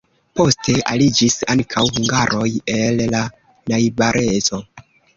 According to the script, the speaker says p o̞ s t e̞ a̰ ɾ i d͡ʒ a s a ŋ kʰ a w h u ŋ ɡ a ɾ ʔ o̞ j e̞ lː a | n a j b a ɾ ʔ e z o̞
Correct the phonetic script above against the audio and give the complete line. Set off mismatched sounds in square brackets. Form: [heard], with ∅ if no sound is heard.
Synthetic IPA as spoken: p o̞ s t e̞ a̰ [l] i d͡ʒ [i] s a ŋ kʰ a w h u ŋ ɡ a ɾ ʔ o̞ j e̞ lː a | n a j b a ɾ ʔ e z o̞